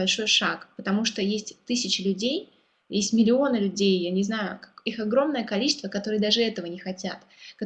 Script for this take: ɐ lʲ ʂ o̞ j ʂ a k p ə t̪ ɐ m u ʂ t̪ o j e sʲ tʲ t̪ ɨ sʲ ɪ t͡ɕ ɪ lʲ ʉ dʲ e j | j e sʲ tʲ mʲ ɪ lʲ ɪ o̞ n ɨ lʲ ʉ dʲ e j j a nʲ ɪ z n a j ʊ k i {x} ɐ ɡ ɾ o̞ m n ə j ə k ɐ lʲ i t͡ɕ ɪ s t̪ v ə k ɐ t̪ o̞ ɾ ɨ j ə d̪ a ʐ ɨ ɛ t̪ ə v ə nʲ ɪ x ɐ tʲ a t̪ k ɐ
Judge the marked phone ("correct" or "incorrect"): correct